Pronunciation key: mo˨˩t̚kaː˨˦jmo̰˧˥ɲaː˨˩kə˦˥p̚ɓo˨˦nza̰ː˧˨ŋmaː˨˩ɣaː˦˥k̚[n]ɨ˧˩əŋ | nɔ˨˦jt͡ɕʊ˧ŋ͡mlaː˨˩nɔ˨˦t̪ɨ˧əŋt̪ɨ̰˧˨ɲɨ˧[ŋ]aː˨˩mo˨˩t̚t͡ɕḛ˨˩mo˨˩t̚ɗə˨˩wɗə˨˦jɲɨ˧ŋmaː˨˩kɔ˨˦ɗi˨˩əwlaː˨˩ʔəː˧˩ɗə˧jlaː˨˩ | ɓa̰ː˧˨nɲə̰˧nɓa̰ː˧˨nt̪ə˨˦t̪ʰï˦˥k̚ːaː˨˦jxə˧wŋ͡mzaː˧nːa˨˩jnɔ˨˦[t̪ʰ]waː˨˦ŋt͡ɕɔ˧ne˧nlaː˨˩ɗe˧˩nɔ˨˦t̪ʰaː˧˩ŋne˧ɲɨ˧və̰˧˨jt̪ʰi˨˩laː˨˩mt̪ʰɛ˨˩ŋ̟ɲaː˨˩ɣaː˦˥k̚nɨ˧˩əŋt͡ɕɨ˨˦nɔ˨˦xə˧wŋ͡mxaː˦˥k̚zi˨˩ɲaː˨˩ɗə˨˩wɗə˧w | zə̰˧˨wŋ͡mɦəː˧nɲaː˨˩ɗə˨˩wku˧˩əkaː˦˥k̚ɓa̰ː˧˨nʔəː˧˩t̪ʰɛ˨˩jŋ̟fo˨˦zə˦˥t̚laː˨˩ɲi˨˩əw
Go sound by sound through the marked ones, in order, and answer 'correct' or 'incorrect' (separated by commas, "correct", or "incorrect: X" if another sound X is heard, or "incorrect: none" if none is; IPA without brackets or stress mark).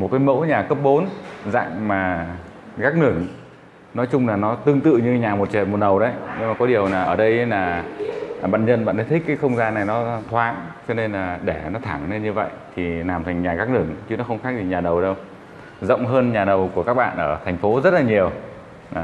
correct, incorrect: ɲ, correct